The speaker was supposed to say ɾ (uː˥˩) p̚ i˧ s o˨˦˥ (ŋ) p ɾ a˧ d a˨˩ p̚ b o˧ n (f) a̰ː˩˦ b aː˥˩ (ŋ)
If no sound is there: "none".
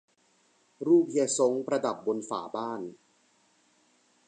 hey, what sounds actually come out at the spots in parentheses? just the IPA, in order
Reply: uː˥˩, ŋ, f, n

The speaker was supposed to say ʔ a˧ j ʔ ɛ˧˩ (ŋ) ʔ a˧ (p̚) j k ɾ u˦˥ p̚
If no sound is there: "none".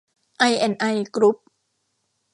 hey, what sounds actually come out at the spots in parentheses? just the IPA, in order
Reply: n, none

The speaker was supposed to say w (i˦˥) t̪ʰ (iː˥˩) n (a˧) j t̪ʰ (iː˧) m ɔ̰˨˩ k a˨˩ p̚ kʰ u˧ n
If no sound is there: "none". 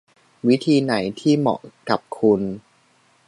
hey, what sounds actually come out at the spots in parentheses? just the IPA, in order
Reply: i˦˥, iː˧, a˩˦, iː˥˩

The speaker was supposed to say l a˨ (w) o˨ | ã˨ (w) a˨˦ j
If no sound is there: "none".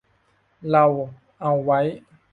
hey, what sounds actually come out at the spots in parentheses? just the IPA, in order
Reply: w, w

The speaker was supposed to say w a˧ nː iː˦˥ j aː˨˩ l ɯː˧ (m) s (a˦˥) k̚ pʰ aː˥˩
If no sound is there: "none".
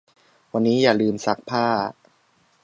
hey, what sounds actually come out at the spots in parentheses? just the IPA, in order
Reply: m, a˦˥

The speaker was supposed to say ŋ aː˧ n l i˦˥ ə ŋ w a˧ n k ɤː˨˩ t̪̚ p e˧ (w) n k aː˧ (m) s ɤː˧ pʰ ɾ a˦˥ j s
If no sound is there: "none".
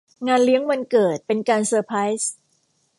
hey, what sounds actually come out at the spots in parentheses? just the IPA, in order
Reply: none, n

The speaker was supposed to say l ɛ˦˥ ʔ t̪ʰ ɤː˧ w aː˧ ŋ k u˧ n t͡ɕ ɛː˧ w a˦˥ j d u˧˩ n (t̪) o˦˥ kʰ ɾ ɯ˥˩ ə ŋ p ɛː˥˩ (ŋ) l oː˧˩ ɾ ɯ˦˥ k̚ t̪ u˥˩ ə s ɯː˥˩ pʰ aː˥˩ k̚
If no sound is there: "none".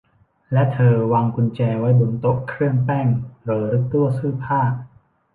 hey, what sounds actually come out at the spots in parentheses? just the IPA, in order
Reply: t̪, ŋ

